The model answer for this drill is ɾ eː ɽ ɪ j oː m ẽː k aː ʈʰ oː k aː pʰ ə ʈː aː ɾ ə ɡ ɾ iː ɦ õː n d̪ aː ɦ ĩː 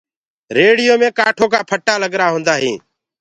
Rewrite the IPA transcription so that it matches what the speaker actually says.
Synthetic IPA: ɾ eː ɽ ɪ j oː m ẽː k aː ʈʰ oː k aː pʰ ə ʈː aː l ə ɡ ɾ aː ɦ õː n d̪ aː ɦ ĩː

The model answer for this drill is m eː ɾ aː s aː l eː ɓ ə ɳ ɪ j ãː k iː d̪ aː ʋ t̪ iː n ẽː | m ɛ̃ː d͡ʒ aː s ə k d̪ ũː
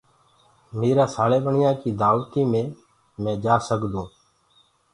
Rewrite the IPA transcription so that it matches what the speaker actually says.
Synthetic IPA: m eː ɾ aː s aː l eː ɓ ə ɳ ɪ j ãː k iː d̪ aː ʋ t̪ iː m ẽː | m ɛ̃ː d͡ʒ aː s ə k d̪ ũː

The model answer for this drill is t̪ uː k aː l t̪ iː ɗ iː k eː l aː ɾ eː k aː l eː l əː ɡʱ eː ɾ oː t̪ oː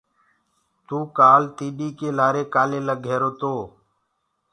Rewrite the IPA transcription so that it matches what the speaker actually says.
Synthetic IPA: t̪ uː k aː l t̪ iː ɗ iː k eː l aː ɾ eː k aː l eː l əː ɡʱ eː ɾ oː t̪ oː

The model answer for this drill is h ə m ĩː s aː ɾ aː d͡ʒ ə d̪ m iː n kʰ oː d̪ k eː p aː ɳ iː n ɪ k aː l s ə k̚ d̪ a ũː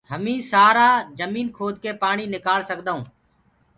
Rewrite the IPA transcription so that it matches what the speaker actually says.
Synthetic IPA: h ə m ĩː s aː ɾ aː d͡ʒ ə m iː n kʰ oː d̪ k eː p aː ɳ iː n ɪ k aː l s ə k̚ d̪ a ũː

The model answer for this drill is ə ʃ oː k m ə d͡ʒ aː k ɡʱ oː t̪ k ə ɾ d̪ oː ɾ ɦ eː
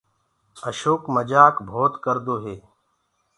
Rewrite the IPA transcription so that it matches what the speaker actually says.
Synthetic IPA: ə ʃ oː k m ə d͡ʒ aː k bʱ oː t̪ k ə ɾ d̪ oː ɦ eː

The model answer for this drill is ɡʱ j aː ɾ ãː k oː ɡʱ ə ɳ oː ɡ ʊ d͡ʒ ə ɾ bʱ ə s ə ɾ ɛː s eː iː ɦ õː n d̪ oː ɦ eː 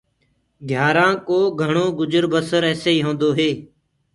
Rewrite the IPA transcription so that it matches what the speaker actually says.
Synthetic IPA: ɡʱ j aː ɾ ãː k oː ɡʱ ə ɳ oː ɡ ʊ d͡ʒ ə ɾ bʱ ə s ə ɾ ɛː s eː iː ɦ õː n d̪ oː ɦ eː

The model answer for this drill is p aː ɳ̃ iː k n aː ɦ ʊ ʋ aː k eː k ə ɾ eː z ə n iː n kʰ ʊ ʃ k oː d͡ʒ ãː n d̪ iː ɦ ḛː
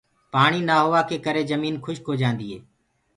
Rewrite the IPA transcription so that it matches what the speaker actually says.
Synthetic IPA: p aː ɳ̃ iː n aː ɦ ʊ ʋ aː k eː k ə ɾ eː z ə m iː n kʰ ʊ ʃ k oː d͡ʒ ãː n d̪ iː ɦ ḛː

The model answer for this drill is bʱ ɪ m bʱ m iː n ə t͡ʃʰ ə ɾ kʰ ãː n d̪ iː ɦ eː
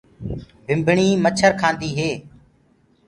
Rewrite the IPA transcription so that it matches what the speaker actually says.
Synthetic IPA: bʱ ɪ m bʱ ɳ iː m ə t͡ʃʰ ə ɾ kʰ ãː n d̪ iː ɦ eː

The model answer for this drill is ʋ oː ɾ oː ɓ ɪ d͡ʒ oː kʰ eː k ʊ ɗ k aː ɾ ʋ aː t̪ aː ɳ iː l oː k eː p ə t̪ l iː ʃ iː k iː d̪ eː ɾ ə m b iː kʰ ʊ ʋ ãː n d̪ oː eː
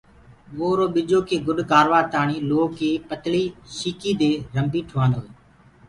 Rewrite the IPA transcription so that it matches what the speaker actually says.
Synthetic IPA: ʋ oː ɾ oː ɓ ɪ d͡ʒ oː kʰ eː ɡ ʊ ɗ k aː ɾ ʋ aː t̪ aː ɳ iː l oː k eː p ə t̪ l iː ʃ iː k iː d̪ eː ɾ ə m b iː ʈʰ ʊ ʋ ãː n d̪ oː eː

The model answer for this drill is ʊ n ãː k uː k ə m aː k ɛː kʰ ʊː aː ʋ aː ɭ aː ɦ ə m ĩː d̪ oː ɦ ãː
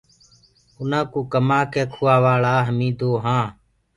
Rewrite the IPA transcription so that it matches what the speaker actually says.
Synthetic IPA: ʊ n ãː k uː k ə m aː k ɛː kʰ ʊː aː ʋ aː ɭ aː ɦ ə m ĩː d̪ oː ɦ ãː

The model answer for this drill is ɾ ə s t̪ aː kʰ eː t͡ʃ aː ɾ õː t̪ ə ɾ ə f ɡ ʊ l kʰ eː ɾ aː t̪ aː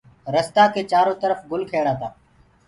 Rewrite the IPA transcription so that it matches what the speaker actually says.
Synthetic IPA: ɾ ə s t̪ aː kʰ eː t͡ʃ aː ɾ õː t̪ ə ɾ ə f ɡ ʊ l kʰ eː ɽ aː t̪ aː

